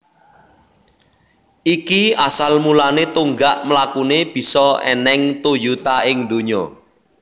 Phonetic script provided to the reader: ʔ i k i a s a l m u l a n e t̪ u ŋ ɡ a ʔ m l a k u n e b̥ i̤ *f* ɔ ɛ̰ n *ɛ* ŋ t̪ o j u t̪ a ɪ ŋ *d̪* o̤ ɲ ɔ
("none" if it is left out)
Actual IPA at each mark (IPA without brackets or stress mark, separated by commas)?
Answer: s, ɛ, d̪